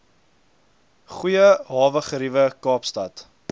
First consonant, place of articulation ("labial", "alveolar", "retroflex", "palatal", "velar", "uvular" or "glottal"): uvular